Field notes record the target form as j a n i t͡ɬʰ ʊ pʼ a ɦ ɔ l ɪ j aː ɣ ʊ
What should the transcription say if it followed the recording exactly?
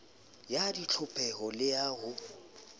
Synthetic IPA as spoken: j a d i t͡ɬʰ ʊ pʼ ɛ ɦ ɔ l ɪ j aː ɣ ʊ